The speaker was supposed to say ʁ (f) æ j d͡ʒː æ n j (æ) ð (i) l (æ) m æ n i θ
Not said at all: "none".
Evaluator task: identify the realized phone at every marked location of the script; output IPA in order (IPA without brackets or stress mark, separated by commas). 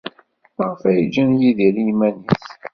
f, i, i, i